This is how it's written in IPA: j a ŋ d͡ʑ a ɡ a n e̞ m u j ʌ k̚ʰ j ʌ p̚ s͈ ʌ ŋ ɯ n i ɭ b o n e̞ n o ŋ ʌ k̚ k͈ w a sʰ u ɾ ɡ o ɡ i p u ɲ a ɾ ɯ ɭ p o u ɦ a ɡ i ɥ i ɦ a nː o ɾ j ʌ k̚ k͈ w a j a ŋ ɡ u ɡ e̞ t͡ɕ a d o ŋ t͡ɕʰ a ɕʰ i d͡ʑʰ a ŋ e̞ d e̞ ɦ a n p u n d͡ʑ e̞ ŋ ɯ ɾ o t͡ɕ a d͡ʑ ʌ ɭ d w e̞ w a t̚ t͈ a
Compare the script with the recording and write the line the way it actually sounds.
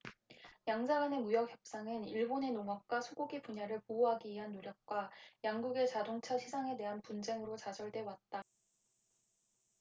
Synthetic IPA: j a ŋ d͡ʑ a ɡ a n e̞ m u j ʌ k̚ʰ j ʌ p̚ s͈ a ŋ ɯ n i ɭ b o n e̞ n o ŋ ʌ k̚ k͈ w a sʰ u ɡ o ɡ i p u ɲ a ɾ ɯ ɭ p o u ɦ a ɡ i ɥ i ɦ a nː o ɾ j ʌ k̚ k͈ w a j a ŋ ɡ u ɡ e̞ t͡ɕ a d o ŋ t͡ɕʰ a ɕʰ i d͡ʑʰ a ŋ e̞ d e̞ ɦ a n p u n d͡ʑ e̞ ŋ ɯ ɾ o t͡ɕ a d͡ʑ ʌ ɭ d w e̞ w a t̚ t͈ a